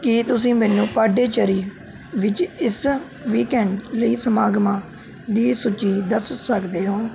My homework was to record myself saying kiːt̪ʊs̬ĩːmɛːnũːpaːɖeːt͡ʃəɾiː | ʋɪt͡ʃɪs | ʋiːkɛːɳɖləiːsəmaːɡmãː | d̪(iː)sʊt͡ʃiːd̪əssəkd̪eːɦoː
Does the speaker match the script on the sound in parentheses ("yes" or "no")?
yes